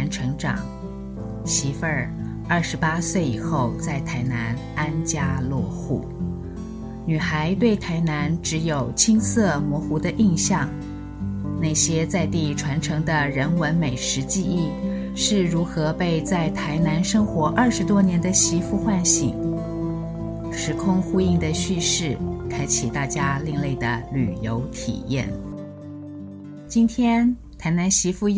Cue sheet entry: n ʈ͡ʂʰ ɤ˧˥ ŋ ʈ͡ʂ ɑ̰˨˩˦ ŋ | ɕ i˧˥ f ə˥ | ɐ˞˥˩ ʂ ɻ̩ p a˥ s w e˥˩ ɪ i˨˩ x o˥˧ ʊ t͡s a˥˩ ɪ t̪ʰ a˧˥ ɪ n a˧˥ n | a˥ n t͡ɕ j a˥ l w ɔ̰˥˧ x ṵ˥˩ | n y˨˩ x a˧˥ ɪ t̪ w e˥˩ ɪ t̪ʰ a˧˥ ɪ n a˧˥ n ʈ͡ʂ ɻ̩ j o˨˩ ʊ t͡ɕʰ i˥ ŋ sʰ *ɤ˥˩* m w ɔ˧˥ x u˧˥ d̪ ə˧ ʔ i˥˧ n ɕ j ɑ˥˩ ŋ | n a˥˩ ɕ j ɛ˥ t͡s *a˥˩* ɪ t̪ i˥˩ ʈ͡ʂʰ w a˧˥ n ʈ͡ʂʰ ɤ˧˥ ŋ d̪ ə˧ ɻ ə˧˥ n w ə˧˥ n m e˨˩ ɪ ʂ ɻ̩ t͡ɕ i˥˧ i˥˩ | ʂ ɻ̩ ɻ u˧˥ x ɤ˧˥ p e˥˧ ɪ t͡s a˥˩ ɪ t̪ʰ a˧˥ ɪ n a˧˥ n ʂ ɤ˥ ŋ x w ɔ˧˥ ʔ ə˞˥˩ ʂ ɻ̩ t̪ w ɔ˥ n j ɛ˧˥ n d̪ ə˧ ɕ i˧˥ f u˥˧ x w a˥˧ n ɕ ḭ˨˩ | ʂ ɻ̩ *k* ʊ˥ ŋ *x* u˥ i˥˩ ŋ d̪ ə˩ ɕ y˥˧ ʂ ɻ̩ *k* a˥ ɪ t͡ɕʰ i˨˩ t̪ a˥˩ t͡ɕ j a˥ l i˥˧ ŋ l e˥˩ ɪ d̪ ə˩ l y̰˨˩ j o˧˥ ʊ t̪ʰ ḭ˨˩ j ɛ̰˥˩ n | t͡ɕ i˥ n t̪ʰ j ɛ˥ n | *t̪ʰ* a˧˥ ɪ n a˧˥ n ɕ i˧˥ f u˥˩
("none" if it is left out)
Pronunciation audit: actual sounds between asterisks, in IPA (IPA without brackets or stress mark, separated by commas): ɤ˥˩, a˥˧, kʰ, x, kʰ, t̪ʰ